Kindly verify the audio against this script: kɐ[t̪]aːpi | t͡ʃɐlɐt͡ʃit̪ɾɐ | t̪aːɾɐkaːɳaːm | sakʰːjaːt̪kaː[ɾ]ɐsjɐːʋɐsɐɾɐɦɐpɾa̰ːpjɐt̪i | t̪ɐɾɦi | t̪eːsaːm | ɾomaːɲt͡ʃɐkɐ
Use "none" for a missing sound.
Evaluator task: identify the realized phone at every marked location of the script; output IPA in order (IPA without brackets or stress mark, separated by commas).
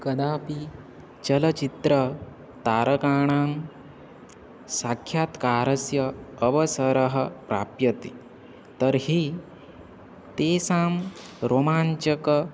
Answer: d̪, ɾ